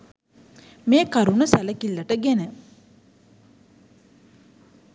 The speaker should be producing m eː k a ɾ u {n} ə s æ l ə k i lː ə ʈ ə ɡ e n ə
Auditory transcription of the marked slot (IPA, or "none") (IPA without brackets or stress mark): n